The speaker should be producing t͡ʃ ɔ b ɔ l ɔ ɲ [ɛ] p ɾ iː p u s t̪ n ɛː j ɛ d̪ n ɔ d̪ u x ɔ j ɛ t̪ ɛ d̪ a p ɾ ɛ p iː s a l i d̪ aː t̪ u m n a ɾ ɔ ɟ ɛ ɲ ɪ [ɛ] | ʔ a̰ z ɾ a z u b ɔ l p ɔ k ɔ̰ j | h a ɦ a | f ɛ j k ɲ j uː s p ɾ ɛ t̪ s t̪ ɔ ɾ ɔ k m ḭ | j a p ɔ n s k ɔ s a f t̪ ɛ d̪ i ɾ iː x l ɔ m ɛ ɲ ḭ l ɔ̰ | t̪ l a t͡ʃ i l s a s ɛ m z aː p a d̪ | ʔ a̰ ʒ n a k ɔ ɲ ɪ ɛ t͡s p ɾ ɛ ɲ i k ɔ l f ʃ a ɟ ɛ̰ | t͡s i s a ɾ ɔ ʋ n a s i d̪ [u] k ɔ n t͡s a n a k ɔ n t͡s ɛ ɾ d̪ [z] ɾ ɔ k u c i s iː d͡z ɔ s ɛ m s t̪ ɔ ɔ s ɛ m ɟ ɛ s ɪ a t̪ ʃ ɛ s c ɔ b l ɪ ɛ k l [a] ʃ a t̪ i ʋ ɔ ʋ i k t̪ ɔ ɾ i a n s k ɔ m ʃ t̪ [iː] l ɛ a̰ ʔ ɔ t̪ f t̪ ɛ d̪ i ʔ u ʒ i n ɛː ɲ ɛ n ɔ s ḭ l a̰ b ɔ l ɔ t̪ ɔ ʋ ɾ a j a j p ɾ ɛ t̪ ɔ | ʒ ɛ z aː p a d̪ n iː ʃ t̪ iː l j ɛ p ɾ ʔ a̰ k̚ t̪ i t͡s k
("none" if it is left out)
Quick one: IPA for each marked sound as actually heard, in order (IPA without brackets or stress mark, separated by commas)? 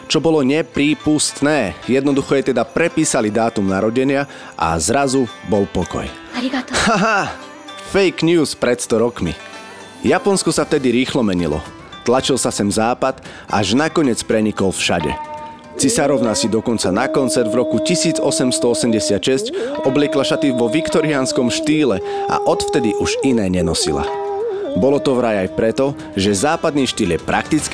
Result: ɛ, a, ɔ, v, a, iː